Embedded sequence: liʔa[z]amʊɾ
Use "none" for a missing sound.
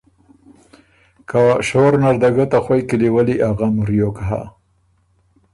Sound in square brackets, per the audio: ɣ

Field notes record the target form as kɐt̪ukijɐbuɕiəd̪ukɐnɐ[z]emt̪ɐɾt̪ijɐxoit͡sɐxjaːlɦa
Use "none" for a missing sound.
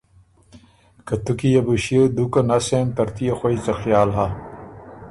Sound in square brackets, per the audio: s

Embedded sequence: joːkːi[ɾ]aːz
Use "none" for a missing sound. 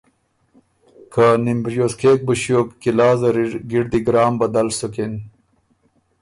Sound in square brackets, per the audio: l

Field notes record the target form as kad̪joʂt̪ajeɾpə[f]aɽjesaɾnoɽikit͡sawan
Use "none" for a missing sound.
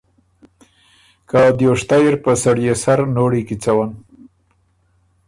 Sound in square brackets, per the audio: s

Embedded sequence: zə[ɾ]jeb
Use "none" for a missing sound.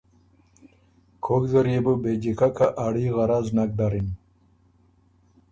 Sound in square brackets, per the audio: ɾ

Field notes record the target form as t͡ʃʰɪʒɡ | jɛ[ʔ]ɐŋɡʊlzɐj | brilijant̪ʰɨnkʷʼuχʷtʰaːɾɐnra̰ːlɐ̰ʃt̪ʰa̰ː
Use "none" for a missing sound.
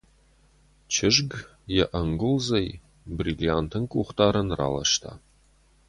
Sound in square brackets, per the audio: ʔ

